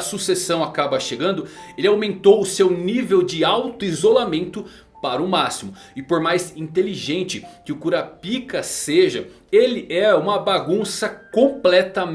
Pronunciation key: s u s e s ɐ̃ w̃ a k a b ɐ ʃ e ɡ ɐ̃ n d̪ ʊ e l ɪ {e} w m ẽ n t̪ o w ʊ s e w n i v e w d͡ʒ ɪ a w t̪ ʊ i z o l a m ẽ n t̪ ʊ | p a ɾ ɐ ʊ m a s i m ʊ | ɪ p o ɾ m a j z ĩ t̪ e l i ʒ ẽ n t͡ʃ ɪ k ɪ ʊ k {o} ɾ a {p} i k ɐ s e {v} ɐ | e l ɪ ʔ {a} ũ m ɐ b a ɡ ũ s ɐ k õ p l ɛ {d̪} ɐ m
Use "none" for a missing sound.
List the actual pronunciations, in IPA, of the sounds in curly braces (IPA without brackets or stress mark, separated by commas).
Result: a, u, p, ʒ, ɛ, t̪